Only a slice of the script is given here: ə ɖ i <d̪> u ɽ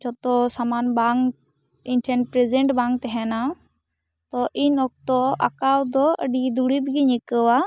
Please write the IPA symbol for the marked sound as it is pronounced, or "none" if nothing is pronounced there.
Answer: d̪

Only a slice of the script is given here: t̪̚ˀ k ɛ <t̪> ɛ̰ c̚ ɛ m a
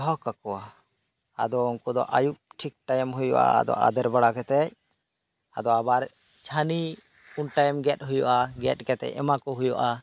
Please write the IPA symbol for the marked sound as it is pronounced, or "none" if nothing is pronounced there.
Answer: t̪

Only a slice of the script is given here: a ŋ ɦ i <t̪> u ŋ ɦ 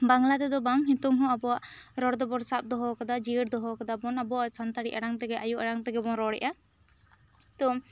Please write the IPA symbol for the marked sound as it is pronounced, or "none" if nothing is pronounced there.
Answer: t̪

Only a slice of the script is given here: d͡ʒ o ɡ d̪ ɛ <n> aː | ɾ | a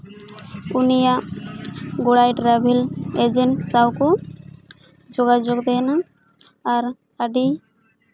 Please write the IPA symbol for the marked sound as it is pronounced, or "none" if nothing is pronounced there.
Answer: n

